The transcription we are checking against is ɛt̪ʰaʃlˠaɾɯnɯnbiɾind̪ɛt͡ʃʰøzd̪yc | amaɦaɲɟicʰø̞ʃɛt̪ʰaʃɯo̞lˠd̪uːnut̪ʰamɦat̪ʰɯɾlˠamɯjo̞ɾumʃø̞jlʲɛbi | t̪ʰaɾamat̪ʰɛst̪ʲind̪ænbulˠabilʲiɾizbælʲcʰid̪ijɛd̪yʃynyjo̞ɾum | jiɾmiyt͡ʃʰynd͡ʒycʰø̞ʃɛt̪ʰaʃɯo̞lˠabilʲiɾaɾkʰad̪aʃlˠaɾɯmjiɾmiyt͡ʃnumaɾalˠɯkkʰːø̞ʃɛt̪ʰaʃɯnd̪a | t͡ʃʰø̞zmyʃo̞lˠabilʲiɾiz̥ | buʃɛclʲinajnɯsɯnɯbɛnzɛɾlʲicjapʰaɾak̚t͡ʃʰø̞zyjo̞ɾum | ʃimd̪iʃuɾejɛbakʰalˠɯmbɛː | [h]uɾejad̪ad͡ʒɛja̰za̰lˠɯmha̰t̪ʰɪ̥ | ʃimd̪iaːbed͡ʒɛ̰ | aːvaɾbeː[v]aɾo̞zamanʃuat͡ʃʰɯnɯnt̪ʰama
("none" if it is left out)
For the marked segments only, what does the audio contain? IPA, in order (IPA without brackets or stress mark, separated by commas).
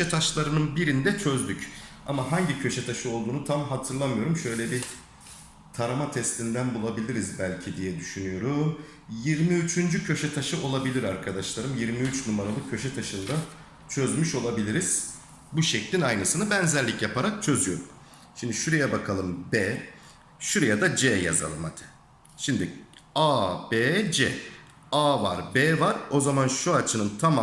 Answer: ʃ, v